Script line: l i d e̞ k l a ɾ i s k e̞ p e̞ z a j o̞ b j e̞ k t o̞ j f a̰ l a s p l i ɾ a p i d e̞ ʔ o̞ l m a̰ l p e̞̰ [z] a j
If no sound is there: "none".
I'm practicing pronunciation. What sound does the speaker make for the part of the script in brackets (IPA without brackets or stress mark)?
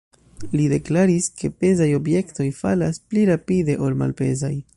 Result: z